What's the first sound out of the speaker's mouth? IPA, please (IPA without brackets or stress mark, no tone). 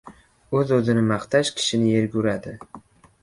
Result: ɵ